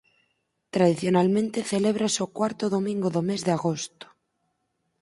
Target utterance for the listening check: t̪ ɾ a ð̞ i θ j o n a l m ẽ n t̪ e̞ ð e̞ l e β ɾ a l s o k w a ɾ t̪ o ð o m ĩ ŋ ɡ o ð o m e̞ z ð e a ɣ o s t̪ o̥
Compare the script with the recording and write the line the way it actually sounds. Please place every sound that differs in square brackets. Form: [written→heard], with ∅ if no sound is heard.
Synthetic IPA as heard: t̪ ɾ a ð̞ i θ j o n a l m ẽ n t̪ e̞ [ð→θ] e̞ l e β ɾ a [l→∅] s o k w a ɾ t̪ o ð o m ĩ ŋ ɡ o ð o m e̞ z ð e a ɣ o s t̪ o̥